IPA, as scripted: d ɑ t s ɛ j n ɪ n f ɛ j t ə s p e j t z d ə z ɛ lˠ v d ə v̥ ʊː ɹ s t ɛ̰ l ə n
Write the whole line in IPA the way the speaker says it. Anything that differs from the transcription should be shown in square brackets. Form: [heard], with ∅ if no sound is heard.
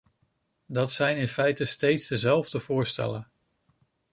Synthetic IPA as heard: d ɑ t s ɛ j n ɪ n f ɛ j t ə s [t] e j t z d ə z ɛ lˠ v d ə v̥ ʊː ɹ s t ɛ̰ l ə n

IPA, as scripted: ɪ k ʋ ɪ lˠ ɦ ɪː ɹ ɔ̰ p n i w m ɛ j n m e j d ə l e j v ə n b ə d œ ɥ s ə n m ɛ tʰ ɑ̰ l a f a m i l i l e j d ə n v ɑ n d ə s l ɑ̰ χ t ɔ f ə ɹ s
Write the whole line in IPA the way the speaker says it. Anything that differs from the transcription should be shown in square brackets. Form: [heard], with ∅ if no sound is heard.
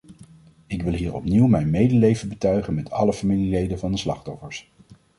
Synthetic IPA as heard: ɪ k ʋ ɪ lˠ ɦ [iː] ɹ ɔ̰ p n i w m ɛ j n m e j d ə l e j v ə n b ə [t] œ ɥ [χ] ə n m ɛ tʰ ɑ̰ l [ə] f a m i l i l e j d ə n v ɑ n d ə s l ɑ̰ χ t ɔ f ə ɹ s

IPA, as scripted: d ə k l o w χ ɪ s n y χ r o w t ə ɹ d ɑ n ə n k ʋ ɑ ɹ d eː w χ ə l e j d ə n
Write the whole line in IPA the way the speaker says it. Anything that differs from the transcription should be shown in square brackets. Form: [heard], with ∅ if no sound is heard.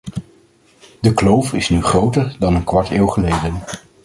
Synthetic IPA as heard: d ə k l o w [f] ɪ s n y χ r o w t ə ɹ d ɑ n ə n k ʋ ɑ ɹ [t] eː w χ ə l e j d ə n

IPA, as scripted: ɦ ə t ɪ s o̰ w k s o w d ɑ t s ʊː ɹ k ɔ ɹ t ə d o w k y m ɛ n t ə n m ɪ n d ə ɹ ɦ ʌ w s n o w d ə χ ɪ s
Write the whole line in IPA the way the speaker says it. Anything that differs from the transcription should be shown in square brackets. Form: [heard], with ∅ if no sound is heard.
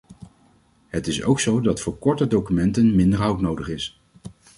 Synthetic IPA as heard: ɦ ə t ɪ s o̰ w k s o w d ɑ t [f] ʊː ɹ k ɔ ɹ t ə d o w k y m ɛ n t ə n m ɪ n d ə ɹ ɦ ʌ w [t] n o w d ə χ ɪ s

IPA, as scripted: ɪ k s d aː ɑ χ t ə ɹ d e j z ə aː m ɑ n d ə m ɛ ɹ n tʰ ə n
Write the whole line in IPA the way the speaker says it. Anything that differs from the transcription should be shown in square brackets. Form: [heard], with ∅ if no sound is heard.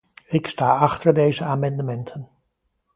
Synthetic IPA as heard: ɪ k s [t] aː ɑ χ t ə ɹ d e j z ə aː m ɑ n d ə m ɛ [∅] n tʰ ə n

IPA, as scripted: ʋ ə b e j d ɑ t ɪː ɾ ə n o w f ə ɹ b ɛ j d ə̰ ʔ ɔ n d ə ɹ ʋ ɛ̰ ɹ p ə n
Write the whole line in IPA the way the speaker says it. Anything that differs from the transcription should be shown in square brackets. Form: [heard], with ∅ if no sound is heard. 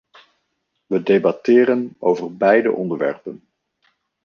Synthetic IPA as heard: ʋ ə [d] e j [b] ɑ t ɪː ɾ ə n o w [v] ə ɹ b ɛ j d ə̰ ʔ ɔ n d ə ɹ ʋ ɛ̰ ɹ p ə n

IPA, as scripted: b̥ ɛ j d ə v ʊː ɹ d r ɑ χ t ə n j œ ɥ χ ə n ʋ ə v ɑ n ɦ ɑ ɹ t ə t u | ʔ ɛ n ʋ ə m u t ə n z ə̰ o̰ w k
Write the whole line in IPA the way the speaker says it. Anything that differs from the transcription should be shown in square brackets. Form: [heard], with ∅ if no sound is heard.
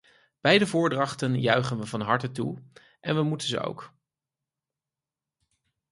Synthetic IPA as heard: b̥ ɛ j d ə v ʊː ɹ d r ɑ χ t ə n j œ ɥ χ ə n ʋ ə v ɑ n ɦ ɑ ɹ t ə t u | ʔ ɛ n ʋ ə m u t ə n z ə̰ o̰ w k

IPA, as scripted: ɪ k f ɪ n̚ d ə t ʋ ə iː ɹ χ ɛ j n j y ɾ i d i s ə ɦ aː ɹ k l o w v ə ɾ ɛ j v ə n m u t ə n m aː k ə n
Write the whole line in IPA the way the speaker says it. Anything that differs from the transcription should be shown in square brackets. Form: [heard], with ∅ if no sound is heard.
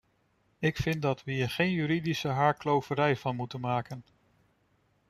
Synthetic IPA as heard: ɪ k f ɪ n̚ d [ɑ] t ʋ ə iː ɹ χ [e] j n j y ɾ i d i s ə ɦ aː ɹ k l o w v ə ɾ ɛ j v [ɑ] n m u t ə n m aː k ə n

